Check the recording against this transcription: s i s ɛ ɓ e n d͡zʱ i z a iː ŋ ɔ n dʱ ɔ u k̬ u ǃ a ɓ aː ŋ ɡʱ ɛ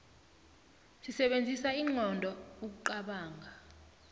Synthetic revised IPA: s i s ɛ ɓ e n d͡zʱ i s a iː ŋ ɔ n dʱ ɔ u k̬ u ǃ a ɓ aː ŋ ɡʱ a